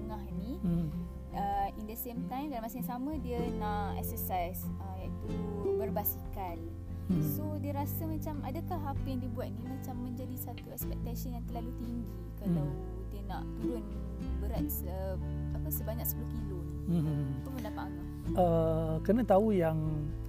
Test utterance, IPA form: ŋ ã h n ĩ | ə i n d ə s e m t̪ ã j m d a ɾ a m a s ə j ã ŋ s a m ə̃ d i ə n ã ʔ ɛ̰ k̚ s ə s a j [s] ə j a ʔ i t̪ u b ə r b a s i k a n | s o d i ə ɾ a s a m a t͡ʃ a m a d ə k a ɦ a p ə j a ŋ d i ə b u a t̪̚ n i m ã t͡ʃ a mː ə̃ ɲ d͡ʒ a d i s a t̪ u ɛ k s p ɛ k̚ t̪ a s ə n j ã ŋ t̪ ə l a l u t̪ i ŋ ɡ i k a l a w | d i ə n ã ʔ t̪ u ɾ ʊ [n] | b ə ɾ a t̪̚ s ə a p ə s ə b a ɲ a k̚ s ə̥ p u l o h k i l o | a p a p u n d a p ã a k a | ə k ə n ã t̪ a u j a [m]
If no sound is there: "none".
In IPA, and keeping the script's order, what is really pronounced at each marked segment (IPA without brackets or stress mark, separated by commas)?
s, n, ŋ